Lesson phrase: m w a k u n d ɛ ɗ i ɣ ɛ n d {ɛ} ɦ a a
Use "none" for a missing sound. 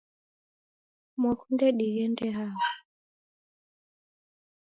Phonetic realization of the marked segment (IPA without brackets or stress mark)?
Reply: ɛ